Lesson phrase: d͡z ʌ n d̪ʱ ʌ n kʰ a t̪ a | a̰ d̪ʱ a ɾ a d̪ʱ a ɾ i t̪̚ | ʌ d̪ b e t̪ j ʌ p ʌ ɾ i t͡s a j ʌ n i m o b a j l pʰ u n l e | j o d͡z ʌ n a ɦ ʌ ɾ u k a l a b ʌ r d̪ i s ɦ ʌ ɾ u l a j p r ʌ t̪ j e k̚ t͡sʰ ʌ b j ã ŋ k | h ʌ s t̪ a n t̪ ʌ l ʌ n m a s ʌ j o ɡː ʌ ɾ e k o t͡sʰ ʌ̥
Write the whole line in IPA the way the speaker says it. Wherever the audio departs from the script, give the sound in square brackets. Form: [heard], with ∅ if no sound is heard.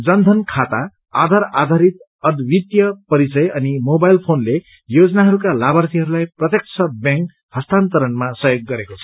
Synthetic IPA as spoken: d͡z ʌ n d̪ʱ ʌ n kʰ a t̪ a | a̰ d̪ʱ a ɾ a d̪ʱ a ɾ i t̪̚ | ʌ d̪ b [i] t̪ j ʌ p ʌ ɾ i t͡s [ʌ] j ʌ n i m o b a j l pʰ [o] n l e | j o d͡z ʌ n a ɦ ʌ ɾ u k a l a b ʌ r [t̪] i [∅] ɦ ʌ ɾ u l a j p r ʌ t̪ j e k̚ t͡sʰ ʌ b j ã ŋ k | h ʌ s t̪ a n t̪ ʌ [ɾ] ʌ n m a s ʌ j o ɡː ʌ ɾ e k o t͡sʰ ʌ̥